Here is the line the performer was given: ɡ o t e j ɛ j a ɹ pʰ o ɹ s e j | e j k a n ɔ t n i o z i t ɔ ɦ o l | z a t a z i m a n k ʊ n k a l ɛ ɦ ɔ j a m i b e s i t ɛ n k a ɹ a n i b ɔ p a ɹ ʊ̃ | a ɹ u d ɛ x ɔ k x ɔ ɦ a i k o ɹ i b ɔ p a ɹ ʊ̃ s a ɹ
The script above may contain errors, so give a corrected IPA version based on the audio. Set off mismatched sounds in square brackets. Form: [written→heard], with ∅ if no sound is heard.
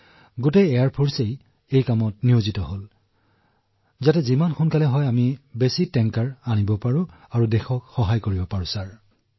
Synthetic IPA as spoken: ɡ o t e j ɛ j a ɹ pʰ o ɹ s e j | e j k a [n→m] ɔ t n i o z i t ɔ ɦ o l | z a t [a→ɛ] z i m a n [k→x] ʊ n k a l ɛ ɦ ɔ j a m i b e s i t ɛ [n→ŋ] k a ɹ a n i b ɔ p a ɹ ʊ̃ | a ɹ u d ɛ x ɔ k x ɔ ɦ a [i→j] k o ɹ i b ɔ p a ɹ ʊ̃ s a ɹ